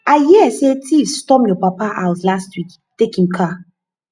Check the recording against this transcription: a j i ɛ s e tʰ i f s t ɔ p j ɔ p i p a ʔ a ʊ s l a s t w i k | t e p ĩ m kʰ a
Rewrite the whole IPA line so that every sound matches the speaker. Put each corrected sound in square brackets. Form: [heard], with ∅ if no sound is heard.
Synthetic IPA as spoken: a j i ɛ s e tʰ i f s t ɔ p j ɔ p [a] p a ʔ a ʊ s l a s t w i k | t e [k] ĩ m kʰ a